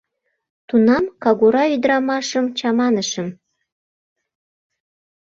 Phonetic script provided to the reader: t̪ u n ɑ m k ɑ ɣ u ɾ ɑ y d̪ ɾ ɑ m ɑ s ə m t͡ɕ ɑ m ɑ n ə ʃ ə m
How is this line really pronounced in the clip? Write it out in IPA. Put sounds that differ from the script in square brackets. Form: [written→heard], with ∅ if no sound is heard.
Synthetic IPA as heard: t̪ u n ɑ m k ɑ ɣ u ɾ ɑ y d̪ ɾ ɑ m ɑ [s→ʃ] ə m t͡ɕ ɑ m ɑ n ə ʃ ə m

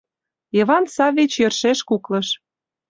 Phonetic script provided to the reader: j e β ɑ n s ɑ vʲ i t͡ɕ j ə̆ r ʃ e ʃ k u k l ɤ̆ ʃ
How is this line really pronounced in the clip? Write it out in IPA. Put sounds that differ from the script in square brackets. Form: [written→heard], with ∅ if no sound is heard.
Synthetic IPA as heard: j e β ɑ n s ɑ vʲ i t͡ɕ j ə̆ r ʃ e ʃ k u k l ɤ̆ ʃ

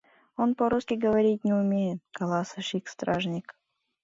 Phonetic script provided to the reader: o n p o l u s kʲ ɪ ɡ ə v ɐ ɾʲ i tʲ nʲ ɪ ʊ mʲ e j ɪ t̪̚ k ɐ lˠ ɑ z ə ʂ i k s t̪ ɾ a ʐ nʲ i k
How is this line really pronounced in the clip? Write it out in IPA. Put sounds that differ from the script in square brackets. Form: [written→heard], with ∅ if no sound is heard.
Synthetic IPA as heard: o n p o [l→ɾ] u s kʲ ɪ ɡ ə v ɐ ɾʲ i tʲ nʲ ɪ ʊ mʲ e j ɪ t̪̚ k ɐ lˠ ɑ [z→s] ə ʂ i k s t̪ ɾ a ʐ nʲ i k

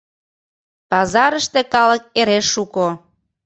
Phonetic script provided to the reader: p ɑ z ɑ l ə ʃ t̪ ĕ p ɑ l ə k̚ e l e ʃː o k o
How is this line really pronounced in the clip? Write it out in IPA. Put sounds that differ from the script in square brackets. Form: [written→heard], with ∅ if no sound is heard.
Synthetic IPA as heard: p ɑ z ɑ [l→ɾ] ə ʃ t̪ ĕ [p→k] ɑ l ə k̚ e [l→ɾ] e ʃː [o→u] k o

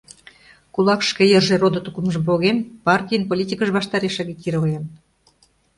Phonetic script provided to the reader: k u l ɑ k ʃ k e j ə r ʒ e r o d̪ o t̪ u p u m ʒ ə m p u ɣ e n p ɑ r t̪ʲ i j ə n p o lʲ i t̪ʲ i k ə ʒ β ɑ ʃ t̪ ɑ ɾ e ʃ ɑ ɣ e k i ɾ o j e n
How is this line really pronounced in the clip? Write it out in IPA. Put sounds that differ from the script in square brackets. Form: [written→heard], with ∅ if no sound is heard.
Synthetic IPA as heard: k u l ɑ k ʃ k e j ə r ʒ e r o d̪ o t̪ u [p→k] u m ʒ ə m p [u→o] ɣ e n p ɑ r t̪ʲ i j ə n p o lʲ i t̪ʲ i k ə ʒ β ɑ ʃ t̪ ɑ ɾ e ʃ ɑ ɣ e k i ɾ o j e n

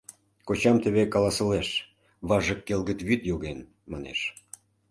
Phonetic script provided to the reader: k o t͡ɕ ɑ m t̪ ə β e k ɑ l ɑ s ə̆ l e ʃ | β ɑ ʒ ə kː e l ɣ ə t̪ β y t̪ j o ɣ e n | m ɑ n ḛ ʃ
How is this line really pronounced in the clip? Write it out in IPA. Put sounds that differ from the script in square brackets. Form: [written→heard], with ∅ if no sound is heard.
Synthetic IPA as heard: k o t͡ɕ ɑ m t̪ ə β e k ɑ l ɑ s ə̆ l e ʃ | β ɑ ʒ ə kː e l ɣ ə t̪ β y t̪ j o ɣ e n | m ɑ n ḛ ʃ

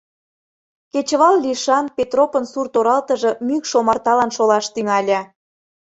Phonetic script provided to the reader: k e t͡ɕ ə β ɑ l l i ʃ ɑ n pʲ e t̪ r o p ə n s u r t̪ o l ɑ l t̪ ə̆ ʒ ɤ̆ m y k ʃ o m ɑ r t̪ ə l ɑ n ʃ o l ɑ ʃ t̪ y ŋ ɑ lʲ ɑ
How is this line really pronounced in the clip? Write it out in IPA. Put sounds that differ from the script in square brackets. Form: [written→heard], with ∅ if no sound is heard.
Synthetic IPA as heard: k e t͡ɕ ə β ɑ l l i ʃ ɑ n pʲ e t̪ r o p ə n s u r t̪ o [l→ɾ] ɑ l t̪ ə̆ ʒ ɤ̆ m y k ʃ o m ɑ r t̪ [ə→ɑ] l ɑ n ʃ o l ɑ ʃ t̪ y ŋ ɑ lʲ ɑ

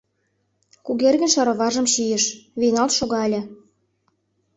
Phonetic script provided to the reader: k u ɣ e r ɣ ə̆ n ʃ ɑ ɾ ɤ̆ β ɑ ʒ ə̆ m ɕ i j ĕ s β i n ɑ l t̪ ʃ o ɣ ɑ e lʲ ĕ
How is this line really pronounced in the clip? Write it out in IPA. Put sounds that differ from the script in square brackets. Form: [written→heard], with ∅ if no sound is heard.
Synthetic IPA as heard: k u ɣ e r ɣ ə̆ n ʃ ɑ ɾ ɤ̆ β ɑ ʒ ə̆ m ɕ i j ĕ [s→ʃ] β i n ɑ l t̪ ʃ o ɣ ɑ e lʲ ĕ

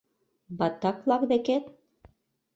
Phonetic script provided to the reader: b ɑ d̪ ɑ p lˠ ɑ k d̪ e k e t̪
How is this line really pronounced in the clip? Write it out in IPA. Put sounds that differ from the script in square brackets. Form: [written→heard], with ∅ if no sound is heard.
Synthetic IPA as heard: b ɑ [d̪→t̪] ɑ [p→k] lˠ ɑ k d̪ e k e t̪

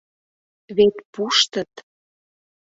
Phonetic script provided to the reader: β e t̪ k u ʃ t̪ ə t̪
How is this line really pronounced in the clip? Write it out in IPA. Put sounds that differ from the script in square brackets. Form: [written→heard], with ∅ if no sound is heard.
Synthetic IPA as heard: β e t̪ [k→p] u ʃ t̪ ə t̪

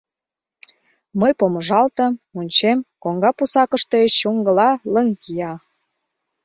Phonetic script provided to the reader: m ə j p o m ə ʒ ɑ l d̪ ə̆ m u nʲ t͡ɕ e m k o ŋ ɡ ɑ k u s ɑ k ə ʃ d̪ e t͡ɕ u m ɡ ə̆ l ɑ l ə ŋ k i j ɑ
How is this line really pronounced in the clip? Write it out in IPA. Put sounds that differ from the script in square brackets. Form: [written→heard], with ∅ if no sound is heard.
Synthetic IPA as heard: m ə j p o m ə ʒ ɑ l [d̪→t̪] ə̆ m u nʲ t͡ɕ e m k o ŋ ɡ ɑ [k→p] u s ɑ k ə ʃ [d̪→t̪] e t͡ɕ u [m→ŋ] ɡ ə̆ l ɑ l ə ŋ k i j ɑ

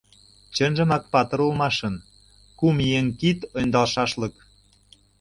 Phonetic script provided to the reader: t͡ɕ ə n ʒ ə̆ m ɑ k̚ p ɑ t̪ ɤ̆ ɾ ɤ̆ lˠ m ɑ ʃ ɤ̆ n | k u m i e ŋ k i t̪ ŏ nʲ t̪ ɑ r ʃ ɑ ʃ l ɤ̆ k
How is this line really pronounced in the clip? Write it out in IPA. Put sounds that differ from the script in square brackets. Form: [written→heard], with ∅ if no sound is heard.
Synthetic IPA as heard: t͡ɕ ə n ʒ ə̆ m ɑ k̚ p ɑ t̪ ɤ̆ ɾ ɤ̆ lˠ m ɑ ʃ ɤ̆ n | k u m i e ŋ k i t̪ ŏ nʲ [t̪→d̪] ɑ [r→l] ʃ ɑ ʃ l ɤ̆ k

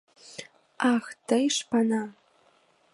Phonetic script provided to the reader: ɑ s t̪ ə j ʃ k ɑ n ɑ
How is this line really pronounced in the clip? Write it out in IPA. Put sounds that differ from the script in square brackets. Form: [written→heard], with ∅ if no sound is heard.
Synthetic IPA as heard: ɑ [s→x] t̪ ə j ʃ [k→p] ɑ n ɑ

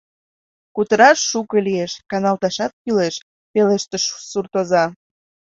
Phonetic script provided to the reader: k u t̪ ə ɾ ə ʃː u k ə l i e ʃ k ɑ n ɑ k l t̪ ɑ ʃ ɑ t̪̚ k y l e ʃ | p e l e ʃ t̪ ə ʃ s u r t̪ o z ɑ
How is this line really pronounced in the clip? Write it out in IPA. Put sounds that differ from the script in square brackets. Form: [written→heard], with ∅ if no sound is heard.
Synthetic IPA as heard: k u t̪ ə ɾ [ə→ɑ] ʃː u k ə l i e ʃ k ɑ n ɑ [k→∅] l t̪ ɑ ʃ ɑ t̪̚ k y l e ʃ | p e l e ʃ t̪ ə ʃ s u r t̪ o z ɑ

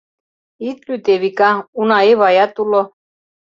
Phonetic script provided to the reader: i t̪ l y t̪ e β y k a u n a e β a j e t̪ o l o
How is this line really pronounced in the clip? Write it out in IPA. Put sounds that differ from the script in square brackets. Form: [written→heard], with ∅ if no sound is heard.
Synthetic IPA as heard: i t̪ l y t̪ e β [y→i] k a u n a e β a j [e→a] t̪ [o→u] l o

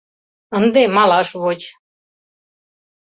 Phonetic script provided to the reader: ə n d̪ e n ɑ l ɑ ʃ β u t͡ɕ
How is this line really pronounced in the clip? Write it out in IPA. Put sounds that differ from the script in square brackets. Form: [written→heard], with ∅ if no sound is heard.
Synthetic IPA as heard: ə n d̪ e [n→m] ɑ l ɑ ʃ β [u→o] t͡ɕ

